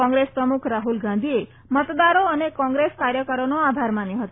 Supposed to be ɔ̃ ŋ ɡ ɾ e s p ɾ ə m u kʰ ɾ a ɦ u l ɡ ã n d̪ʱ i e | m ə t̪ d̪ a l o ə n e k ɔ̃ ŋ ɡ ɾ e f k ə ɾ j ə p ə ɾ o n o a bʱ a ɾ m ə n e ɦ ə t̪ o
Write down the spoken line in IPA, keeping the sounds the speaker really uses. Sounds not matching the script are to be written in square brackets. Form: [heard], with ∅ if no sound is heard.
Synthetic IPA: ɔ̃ ŋ ɡ ɾ e s p ɾ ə m u kʰ ɾ a ɦ u l ɡ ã n d̪ʱ i e | m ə t̪ d̪ a [ɾ] o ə n e k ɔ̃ ŋ ɡ ɾ e [s] k [a] ɾ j ə [k] ə ɾ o n o a bʱ a ɾ m [a] n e ɦ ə t̪ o